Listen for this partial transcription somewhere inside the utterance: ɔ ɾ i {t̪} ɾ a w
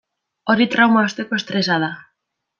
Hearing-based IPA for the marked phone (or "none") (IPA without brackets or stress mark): t̪